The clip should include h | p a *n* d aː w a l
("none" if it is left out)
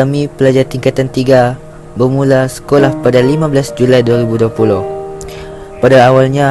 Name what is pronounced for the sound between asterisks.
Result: none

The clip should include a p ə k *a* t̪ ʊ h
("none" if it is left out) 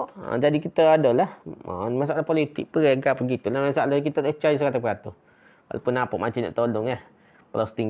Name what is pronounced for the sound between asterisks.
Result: a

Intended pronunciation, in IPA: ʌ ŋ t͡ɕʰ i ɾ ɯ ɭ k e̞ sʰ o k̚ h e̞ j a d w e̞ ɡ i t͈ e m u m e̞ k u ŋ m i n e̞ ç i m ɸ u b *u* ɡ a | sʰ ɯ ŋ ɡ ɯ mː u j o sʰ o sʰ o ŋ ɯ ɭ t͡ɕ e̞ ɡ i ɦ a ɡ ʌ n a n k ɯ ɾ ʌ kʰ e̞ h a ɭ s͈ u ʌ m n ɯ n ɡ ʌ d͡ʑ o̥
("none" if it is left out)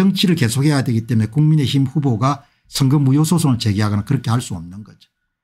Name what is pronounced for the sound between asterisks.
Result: o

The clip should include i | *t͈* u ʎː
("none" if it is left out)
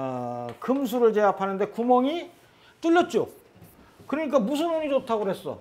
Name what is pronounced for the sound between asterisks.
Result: t͈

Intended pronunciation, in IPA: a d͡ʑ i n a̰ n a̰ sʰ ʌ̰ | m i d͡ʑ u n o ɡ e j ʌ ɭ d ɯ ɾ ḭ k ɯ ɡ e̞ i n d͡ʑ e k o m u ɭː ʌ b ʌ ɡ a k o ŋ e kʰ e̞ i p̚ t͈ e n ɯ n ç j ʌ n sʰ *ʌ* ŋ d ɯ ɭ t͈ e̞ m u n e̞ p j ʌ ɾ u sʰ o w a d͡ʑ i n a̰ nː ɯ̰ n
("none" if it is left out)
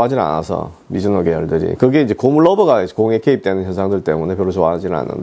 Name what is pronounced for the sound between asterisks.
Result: a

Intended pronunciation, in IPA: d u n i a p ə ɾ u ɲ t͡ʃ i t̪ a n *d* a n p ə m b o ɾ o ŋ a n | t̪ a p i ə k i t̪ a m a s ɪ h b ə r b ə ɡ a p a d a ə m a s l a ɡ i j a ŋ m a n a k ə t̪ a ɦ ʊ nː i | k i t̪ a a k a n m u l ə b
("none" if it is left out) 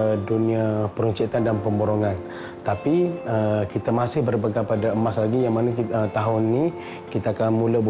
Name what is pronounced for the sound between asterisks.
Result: d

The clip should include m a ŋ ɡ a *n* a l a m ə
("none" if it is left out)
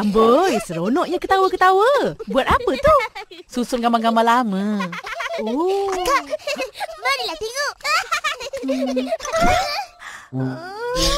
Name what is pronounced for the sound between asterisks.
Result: m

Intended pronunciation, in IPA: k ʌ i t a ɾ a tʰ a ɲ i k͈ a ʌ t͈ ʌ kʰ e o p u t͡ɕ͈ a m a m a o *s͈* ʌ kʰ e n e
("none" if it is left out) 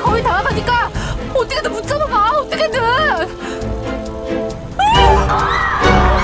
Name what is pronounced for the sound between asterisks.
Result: t͈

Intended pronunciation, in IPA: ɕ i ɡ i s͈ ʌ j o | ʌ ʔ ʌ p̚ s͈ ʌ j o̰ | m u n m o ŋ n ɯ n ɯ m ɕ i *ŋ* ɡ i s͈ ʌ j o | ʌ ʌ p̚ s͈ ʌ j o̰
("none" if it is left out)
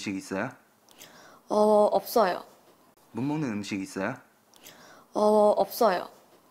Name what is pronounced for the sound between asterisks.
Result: none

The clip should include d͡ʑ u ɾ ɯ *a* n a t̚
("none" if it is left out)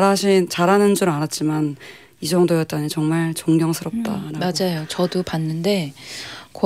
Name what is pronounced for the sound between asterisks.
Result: a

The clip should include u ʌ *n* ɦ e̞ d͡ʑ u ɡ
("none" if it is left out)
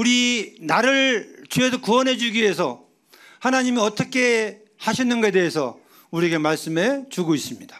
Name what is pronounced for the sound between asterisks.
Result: n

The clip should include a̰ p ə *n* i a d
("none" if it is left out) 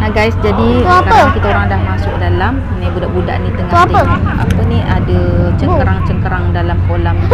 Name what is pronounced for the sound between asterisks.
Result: n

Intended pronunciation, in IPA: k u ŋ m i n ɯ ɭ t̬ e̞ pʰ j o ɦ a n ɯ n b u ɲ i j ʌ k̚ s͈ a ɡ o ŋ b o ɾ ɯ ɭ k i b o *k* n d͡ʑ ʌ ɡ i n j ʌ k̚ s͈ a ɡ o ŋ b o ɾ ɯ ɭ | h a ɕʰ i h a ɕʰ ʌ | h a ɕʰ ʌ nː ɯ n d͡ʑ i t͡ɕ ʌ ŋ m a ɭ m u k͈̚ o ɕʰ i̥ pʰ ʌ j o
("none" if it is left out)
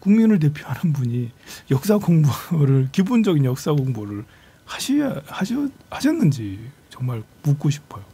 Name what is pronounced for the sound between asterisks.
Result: none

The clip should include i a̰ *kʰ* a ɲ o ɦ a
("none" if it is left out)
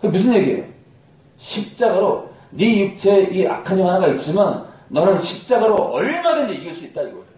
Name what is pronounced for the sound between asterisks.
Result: kʰ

